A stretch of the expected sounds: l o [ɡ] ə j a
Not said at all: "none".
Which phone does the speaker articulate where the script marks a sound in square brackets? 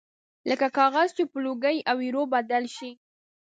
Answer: ɡ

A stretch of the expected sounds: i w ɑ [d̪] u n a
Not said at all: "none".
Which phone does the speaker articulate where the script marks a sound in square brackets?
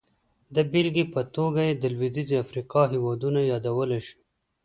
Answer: d̪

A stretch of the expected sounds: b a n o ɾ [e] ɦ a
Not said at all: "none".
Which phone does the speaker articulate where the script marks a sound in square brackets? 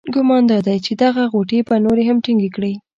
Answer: e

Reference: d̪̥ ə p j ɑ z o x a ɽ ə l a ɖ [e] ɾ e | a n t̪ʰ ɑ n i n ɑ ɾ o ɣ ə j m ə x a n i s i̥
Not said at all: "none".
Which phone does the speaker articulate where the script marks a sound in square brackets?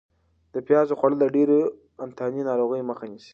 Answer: e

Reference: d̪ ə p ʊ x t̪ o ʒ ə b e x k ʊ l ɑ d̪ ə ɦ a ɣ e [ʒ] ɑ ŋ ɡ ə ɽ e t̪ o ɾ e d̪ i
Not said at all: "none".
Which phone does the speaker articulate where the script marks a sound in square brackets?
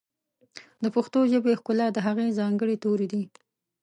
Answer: z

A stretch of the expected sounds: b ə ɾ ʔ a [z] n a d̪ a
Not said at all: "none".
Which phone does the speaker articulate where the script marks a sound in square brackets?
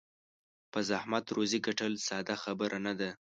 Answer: none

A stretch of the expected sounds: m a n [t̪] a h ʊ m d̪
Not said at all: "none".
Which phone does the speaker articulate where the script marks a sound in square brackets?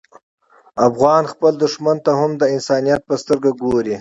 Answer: t̪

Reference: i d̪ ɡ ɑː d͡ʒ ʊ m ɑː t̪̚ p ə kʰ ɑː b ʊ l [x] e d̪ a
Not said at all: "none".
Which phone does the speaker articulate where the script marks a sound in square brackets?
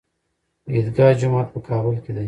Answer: k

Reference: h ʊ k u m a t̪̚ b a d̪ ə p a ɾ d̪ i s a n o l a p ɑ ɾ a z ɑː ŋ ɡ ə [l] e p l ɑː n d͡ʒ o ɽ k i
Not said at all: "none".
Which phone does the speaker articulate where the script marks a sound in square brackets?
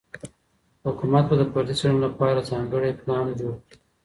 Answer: ɽ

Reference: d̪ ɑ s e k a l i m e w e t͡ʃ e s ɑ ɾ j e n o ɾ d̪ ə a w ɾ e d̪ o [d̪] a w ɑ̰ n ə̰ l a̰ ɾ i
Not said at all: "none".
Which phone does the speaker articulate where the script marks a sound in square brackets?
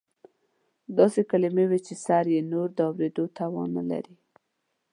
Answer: t̪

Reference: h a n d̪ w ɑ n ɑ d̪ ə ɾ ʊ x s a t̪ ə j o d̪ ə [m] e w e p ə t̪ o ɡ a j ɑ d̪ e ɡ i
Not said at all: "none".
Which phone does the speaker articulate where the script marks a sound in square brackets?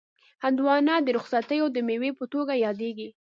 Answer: m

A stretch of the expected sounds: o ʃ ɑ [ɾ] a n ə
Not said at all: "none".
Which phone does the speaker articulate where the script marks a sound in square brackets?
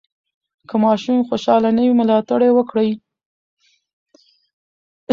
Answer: l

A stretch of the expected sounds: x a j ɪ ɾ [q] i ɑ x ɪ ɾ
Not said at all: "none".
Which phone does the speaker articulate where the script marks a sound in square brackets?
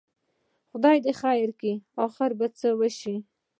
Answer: k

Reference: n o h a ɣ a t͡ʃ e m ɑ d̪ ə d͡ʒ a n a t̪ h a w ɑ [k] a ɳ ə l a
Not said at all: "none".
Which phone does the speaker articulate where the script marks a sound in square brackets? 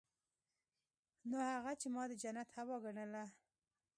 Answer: ɡ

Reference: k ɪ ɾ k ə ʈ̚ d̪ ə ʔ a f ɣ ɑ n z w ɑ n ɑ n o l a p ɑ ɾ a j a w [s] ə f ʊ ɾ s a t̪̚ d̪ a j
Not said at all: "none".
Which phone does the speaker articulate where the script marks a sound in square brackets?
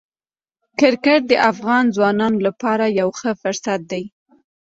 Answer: x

